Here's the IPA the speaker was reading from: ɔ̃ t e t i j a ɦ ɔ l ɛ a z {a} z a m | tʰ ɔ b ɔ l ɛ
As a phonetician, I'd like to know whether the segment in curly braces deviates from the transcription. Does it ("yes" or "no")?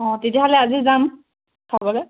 yes